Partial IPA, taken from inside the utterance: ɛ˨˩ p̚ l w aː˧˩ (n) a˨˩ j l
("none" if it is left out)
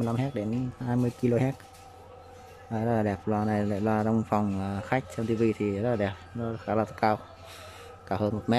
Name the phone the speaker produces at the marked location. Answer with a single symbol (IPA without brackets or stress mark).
n